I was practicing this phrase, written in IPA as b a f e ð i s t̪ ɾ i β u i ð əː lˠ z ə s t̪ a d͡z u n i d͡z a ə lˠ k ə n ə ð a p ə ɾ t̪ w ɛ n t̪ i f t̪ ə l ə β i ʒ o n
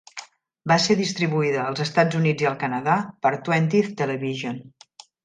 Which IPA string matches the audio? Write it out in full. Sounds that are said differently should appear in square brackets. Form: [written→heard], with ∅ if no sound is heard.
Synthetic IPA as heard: b a [f→s] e ð i s t̪ ɾ i β u i ð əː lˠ z ə s t̪ a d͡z u n i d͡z [a→i] ə lˠ k ə n ə ð a p ə ɾ t̪ w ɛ n t̪ i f t̪ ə l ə β i ʒ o n